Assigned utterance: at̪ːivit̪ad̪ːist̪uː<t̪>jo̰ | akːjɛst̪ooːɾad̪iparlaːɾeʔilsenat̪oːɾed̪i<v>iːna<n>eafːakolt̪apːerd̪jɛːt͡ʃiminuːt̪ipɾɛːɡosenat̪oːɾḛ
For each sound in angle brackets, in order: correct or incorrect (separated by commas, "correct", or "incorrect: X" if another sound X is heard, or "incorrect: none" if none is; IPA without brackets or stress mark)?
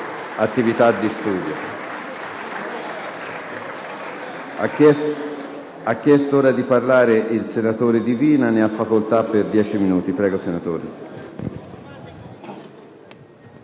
incorrect: d̪, correct, correct